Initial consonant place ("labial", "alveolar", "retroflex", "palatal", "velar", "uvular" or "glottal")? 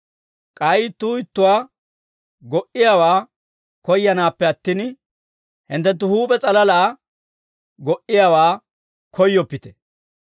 velar